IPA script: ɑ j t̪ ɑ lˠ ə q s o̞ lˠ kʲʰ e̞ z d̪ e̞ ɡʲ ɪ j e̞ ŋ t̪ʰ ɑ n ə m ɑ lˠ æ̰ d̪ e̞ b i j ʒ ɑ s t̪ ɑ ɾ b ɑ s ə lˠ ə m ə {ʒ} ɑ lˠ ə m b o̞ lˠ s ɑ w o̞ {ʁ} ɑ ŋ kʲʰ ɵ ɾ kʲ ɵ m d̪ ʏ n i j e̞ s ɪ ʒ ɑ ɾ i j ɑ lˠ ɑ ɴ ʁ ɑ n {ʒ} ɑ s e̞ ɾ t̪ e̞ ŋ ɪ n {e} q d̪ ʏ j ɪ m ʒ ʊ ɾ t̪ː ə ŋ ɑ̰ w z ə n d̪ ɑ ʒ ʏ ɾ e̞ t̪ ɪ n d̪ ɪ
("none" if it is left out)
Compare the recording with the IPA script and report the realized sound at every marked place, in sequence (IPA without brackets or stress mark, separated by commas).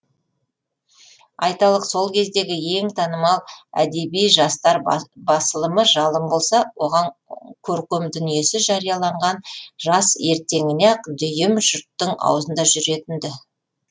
ʒ, ʁ, ʒ, e